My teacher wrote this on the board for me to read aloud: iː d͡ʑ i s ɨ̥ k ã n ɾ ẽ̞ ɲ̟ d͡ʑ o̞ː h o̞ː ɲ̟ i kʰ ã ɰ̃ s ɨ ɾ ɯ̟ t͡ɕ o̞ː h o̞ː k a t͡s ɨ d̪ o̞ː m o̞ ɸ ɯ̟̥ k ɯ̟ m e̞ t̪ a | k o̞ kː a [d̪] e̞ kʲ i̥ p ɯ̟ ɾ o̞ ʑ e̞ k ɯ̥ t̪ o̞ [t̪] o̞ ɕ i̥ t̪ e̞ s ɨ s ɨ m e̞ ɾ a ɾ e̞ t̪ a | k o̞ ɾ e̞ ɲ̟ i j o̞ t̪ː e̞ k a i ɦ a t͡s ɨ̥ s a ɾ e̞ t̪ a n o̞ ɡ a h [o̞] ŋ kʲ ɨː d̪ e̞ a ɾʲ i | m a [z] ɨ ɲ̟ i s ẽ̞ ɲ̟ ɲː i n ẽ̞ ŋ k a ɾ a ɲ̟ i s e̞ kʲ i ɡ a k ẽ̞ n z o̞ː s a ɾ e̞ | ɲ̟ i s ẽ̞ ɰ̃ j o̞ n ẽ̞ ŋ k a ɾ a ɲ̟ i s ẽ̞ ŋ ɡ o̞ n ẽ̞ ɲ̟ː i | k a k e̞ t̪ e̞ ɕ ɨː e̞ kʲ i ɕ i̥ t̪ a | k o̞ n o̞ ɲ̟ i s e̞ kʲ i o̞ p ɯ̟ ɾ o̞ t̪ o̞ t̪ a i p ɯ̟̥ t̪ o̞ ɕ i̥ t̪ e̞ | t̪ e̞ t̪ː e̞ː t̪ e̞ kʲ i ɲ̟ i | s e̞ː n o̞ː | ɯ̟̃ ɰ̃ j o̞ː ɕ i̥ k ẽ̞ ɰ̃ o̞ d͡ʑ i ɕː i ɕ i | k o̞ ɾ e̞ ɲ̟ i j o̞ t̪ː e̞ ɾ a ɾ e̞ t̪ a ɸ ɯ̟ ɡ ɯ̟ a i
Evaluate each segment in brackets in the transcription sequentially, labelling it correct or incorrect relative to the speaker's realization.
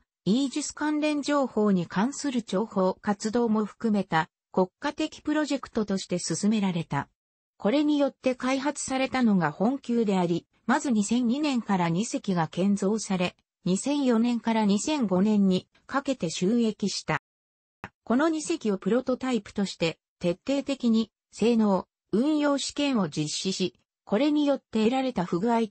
incorrect: t̪, correct, incorrect: õ̞, correct

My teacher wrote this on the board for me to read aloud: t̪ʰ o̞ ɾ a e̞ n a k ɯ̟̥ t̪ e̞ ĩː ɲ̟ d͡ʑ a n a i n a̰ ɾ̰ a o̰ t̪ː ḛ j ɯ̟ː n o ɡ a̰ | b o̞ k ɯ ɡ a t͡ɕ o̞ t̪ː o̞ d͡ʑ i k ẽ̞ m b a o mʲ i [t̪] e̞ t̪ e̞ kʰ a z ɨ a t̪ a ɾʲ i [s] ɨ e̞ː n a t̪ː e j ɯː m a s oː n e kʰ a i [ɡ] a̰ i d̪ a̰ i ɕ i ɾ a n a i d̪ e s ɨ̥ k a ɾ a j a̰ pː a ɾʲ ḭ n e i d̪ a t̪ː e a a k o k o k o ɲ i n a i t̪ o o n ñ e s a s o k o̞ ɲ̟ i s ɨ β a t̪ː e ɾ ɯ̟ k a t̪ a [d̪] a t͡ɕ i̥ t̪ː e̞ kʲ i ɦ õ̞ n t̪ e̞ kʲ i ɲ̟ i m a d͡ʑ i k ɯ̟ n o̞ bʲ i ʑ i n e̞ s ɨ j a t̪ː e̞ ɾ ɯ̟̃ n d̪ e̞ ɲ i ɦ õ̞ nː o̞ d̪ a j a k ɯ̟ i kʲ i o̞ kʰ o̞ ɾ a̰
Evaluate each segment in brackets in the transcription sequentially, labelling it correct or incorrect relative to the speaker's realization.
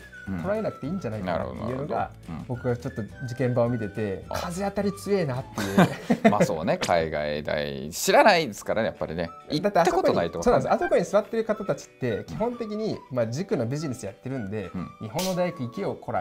correct, incorrect: t͡s, correct, incorrect: t̪

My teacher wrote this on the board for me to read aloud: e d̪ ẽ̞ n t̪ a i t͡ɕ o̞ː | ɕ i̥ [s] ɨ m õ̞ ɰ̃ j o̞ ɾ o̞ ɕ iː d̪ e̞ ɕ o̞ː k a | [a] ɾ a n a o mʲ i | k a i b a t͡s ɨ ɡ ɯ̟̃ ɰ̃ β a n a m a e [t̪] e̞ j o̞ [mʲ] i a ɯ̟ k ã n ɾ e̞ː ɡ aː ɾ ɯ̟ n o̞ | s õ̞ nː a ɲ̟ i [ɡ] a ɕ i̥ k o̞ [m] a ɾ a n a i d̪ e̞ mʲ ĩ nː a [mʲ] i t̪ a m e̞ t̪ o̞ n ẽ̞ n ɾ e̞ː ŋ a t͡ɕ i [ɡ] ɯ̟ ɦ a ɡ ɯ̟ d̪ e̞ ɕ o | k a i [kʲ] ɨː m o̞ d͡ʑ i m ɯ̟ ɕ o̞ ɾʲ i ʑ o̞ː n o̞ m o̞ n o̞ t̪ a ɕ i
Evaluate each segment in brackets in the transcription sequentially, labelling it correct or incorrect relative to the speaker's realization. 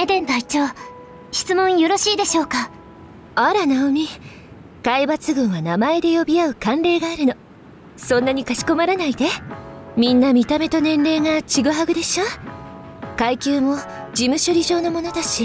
incorrect: t͡s, correct, incorrect: d̪, incorrect: bʲ, incorrect: k, correct, correct, correct, correct

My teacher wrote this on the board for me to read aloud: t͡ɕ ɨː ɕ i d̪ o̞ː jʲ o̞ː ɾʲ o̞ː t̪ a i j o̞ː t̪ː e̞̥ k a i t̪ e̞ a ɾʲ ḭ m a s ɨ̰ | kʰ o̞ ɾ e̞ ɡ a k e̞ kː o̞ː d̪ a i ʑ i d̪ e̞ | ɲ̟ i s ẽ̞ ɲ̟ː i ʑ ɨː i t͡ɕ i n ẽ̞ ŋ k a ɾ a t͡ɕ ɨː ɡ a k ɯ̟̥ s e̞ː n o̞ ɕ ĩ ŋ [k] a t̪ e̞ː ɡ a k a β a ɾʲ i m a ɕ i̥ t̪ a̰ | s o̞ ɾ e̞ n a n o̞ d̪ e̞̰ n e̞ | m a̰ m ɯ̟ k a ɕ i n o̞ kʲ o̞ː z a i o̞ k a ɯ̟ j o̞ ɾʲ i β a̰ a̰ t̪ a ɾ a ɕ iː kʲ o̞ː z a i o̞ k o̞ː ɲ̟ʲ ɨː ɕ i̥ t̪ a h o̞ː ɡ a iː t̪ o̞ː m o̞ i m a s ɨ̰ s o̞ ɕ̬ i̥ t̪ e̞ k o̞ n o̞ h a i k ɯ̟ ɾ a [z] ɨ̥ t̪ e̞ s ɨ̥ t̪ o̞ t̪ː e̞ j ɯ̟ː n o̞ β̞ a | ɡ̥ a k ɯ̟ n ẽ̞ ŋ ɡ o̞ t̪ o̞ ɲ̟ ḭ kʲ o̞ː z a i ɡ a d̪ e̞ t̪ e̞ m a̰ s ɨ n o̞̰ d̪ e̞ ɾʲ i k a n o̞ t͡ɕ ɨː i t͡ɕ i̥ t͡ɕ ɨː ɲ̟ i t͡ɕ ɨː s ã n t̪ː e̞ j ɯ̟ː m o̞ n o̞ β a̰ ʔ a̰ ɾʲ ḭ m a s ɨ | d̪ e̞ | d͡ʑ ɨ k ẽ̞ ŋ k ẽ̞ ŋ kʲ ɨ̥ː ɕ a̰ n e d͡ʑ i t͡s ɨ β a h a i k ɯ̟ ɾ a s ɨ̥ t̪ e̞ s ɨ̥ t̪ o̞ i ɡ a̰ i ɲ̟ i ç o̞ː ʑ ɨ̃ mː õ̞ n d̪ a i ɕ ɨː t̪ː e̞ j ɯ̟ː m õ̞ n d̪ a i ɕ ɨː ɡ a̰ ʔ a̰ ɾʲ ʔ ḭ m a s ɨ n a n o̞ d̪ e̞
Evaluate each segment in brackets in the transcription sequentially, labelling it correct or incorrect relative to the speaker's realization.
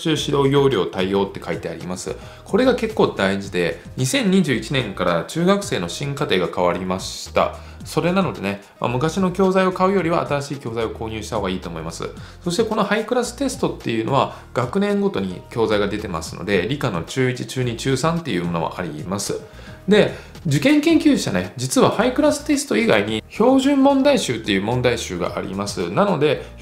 correct, incorrect: s

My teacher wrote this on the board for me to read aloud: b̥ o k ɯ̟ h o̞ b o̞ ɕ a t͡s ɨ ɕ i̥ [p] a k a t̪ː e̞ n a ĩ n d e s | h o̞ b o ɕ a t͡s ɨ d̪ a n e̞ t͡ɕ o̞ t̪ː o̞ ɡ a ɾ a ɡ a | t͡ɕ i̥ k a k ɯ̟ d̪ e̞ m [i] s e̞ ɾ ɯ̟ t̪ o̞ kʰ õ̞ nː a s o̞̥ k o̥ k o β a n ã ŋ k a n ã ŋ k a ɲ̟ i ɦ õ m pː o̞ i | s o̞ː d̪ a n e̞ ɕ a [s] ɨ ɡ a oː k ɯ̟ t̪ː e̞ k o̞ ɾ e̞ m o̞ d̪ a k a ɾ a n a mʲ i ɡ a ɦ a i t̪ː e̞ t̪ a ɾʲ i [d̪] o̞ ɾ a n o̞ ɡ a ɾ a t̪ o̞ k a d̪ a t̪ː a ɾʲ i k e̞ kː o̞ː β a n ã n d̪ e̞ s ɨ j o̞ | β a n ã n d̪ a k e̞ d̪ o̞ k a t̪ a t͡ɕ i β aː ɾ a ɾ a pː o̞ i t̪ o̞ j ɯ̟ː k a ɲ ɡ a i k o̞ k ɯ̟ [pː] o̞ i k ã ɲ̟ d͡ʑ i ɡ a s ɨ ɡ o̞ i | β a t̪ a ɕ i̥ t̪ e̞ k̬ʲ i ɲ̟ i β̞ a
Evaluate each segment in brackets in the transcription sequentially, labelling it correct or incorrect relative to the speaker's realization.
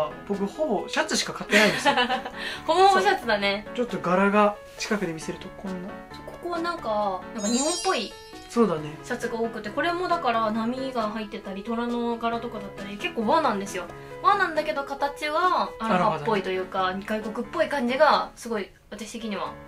incorrect: k, correct, incorrect: t͡s, incorrect: t̪, correct

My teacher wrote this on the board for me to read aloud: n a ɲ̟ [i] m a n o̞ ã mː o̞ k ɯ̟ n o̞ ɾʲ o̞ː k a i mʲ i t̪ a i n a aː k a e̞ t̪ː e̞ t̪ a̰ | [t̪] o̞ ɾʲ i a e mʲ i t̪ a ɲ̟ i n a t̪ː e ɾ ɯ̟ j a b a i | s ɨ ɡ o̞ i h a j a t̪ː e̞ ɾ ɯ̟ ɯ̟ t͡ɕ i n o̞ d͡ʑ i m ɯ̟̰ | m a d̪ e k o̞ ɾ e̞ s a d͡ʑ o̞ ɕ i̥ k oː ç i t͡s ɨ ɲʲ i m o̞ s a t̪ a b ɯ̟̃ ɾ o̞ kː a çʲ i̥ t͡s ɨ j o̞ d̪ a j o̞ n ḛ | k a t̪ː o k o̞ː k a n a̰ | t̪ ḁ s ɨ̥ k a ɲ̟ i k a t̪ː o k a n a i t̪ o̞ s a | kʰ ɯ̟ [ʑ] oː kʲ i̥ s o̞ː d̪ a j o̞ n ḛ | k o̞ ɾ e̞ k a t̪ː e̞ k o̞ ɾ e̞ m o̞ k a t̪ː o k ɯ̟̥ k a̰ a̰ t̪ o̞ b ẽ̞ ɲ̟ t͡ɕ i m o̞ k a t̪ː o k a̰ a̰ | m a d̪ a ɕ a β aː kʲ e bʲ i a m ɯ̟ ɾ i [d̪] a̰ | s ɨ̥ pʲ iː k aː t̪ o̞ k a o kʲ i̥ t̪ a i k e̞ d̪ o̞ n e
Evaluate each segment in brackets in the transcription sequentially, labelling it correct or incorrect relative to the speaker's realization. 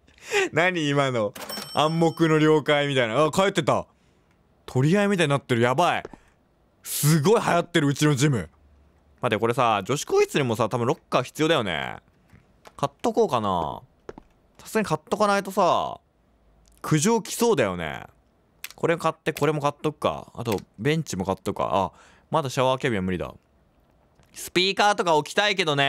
incorrect: iː, incorrect: t̪ʰ, correct, correct

